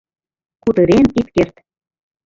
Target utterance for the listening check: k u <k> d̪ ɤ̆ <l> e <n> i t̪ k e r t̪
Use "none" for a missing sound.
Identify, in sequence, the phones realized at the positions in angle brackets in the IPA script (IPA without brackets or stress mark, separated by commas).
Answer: none, ɾ, n